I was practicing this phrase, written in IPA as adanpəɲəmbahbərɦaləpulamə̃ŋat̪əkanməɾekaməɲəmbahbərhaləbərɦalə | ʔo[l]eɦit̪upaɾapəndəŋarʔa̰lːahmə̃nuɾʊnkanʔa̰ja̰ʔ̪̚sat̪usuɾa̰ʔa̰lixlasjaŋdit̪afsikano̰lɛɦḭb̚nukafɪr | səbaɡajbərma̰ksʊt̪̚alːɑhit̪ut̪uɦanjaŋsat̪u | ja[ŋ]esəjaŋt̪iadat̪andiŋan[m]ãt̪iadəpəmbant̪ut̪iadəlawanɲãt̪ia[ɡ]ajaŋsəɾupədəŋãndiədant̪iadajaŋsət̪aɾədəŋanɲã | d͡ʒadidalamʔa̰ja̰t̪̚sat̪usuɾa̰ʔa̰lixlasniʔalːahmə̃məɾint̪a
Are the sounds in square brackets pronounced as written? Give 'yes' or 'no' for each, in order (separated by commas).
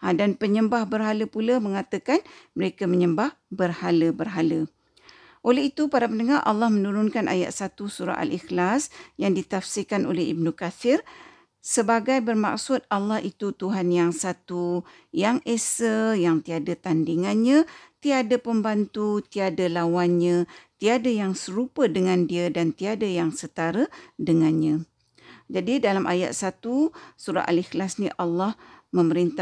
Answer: yes, yes, no, no